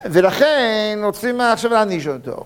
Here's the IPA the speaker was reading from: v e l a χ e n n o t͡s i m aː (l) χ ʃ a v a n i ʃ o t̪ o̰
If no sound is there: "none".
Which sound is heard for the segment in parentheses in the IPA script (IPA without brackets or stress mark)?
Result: none